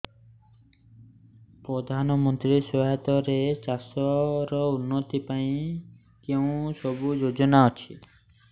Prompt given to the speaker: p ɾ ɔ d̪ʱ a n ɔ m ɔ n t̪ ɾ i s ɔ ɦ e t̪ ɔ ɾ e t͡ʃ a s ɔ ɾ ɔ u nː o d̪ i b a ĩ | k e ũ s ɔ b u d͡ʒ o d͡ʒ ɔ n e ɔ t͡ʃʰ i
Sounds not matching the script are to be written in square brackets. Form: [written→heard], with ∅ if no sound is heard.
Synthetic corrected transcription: p ɾ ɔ d̪ʱ a n ɔ m ɔ n t̪ ɾ i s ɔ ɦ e t̪ ɔ ɾ e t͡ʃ a s ɔ ɾ ɔ u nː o [d̪→t̪] i [b→p] a ĩ | k e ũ s ɔ b u d͡ʒ o d͡ʒ ɔ n [e→a] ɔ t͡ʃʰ i